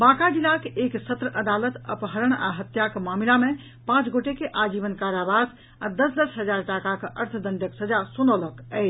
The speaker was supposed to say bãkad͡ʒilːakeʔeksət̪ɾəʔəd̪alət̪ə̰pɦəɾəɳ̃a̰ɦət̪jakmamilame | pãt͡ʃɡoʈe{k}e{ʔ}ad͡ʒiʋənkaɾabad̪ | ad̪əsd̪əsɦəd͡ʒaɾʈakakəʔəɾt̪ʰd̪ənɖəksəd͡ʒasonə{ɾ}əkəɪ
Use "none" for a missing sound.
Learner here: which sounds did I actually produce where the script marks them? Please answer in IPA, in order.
k, ʔ, l

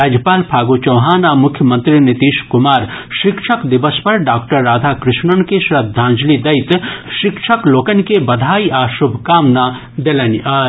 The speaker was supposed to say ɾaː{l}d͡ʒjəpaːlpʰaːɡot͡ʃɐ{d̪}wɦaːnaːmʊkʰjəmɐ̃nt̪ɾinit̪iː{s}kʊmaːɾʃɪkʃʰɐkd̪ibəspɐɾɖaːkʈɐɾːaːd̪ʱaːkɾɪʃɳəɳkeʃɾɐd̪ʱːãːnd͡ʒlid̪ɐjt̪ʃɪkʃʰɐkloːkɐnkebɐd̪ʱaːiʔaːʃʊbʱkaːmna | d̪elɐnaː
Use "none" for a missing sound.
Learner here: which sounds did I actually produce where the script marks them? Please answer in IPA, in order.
none, none, ʃ

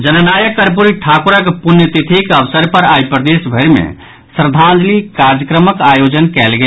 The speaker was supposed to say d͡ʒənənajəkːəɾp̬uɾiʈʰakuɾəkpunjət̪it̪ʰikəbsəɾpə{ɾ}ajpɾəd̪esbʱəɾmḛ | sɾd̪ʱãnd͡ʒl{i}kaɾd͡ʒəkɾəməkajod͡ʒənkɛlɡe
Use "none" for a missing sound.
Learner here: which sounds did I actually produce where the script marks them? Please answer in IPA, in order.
ɾ, i

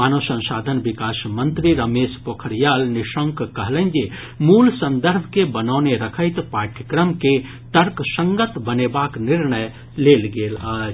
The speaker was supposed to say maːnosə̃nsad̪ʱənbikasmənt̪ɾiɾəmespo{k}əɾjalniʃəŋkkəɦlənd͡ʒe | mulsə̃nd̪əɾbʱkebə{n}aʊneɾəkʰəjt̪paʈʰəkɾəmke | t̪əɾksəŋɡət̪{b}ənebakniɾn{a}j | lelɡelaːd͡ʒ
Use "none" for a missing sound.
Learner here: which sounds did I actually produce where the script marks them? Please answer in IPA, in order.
kʰ, n, b, ə

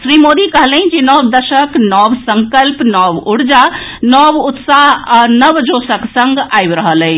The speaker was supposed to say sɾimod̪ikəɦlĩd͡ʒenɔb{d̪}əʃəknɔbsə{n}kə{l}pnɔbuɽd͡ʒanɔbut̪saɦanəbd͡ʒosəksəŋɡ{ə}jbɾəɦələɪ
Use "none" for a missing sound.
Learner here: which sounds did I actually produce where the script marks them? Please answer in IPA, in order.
d̪, ŋ, l, a

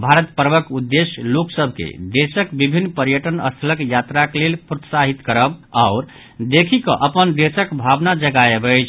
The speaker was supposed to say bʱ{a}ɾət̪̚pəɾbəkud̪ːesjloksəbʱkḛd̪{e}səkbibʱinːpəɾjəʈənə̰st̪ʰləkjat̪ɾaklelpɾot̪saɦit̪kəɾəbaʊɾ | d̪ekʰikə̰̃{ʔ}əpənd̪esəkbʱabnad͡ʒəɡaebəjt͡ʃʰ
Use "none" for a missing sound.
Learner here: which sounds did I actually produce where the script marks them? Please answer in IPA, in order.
a, e, ʔ

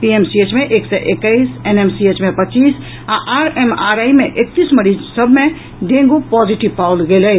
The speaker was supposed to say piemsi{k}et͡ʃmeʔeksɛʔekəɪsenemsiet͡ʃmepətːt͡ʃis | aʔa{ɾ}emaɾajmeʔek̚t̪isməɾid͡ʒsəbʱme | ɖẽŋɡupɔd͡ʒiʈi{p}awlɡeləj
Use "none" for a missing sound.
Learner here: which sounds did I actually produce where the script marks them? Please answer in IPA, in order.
none, ɾ, p

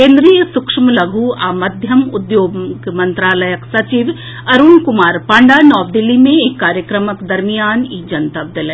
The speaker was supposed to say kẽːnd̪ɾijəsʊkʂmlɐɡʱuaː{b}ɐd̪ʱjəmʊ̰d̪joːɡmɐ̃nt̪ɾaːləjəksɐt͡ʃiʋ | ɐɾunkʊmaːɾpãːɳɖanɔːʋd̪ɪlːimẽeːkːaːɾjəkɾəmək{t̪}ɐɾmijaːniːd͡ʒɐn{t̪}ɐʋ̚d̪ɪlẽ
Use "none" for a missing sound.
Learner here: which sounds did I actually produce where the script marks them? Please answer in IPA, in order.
m, d̪, t̪

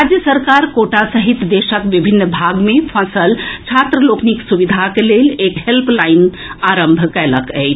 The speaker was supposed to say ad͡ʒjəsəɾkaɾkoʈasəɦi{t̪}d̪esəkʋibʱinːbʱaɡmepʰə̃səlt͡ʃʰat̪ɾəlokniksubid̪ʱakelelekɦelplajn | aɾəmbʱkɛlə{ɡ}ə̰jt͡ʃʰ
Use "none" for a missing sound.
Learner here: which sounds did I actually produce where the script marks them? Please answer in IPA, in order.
t̪, k

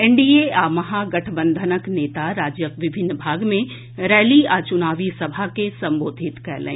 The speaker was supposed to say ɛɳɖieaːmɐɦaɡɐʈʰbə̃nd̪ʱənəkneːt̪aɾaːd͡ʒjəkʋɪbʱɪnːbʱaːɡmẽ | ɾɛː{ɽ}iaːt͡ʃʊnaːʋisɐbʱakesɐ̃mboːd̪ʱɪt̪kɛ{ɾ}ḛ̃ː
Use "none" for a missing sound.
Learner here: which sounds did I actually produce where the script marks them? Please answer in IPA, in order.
l, l

